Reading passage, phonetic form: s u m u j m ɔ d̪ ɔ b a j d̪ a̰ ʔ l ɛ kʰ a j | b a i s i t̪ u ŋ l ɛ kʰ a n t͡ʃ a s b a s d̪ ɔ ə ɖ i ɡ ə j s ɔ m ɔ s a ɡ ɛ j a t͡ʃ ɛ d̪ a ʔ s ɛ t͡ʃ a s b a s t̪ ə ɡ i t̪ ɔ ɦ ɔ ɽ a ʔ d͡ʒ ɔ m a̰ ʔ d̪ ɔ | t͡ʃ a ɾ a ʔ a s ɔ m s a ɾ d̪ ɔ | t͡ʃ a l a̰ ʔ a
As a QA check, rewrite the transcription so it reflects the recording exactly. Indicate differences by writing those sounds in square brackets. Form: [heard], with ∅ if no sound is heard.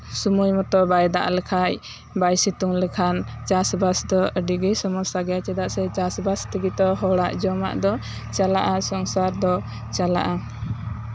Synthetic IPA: s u m u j m ɔ [t̪] ɔ b a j d̪ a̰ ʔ l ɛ kʰ a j | b a [j] s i t̪ u ŋ l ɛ kʰ a n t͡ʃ a s b a s d̪ ɔ ə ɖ i ɡ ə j s ɔ m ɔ s a ɡ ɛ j a t͡ʃ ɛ d̪ a ʔ s ɛ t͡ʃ a s b a s t̪ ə ɡ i t̪ ɔ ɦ ɔ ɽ a ʔ d͡ʒ ɔ m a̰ ʔ d̪ ɔ | t͡ʃ a [l] a ʔ a s ɔ [ŋ] s a ɾ d̪ ɔ | t͡ʃ a l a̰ ʔ a